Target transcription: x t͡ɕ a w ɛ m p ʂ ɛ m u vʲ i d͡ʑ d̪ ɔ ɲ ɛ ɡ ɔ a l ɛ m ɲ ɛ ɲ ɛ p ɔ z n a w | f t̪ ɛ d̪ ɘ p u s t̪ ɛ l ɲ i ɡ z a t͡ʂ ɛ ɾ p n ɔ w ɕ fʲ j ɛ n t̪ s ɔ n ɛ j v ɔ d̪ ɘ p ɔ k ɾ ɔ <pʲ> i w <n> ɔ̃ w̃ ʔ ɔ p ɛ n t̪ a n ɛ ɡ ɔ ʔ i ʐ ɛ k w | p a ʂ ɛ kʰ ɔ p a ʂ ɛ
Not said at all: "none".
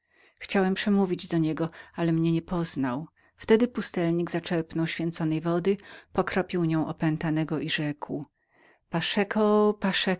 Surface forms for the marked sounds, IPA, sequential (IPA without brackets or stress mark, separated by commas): pʲ, ɲ